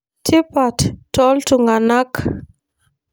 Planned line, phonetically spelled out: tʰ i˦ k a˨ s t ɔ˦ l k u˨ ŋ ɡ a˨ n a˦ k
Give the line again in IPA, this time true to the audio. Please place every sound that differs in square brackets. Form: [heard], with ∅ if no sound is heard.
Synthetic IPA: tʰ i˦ [p] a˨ [t] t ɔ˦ l [t] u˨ ŋ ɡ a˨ n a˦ k